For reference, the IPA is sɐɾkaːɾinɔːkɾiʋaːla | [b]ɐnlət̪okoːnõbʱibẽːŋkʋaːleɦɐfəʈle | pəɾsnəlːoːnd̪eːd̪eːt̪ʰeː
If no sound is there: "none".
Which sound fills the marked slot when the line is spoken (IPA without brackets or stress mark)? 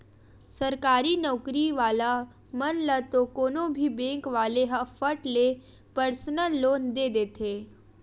m